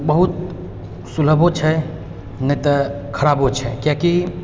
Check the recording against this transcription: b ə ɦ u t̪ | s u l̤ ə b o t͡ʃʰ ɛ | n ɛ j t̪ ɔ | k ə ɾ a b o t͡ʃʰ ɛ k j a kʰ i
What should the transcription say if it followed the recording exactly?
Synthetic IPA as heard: b ə ɦ u t̪ | s u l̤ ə b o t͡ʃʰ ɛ | n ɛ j t̪ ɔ | kʰ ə ɾ a b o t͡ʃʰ ɛ k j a k i